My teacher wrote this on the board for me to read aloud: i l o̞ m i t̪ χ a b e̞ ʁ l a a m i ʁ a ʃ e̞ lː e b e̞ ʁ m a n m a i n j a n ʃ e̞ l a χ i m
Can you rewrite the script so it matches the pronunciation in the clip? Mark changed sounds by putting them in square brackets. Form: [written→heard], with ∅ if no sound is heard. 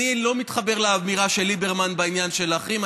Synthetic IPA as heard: i l o̞ m i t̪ χ a b e̞ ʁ l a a m i ʁ a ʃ e̞ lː [e→i] b e̞ ʁ m a n [m→b] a i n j a n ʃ e̞ l a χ i m